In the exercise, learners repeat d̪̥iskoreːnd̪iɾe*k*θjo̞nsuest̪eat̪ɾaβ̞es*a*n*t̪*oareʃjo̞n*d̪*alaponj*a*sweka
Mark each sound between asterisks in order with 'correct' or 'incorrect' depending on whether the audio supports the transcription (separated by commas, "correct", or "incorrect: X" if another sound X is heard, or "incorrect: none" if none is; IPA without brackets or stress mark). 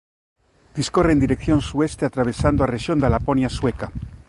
correct, correct, incorrect: d̪, correct, correct